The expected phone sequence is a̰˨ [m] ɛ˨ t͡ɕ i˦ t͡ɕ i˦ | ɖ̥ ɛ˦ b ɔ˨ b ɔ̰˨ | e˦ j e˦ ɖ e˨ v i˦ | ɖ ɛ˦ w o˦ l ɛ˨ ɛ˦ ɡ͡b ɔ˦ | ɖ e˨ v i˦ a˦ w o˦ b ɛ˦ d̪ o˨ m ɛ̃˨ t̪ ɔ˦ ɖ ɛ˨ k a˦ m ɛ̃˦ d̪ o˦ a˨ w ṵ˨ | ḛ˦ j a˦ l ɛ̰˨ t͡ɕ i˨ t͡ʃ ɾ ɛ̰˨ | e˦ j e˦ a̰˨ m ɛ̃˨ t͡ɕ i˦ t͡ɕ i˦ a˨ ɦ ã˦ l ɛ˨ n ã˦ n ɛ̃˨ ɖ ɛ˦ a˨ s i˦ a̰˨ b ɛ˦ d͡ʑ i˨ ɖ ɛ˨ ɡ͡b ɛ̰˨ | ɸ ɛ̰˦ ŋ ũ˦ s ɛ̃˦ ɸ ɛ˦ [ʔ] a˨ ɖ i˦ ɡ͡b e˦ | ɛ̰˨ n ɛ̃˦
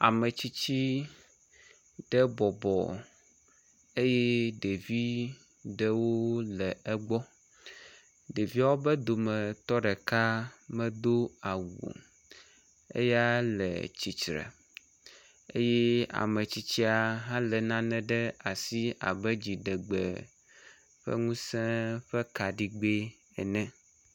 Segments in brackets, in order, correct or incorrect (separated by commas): correct, incorrect